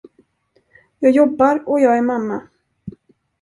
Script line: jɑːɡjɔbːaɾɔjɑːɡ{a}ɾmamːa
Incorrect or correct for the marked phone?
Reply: incorrect: æ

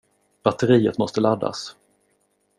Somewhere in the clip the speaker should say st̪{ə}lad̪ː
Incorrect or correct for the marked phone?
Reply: correct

